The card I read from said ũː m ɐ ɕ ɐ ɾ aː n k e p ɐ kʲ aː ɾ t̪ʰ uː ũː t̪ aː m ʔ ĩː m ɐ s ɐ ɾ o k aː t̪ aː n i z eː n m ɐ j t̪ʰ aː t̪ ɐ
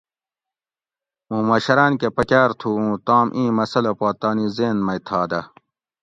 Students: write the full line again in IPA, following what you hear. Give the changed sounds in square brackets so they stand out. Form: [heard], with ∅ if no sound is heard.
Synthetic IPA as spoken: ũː m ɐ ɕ ɐ ɾ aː n k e p ɐ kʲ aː ɾ t̪ʰ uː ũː t̪ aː m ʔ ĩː m ɐ s ɐ [l] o [p] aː t̪ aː n i z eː n m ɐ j t̪ʰ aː [d̪] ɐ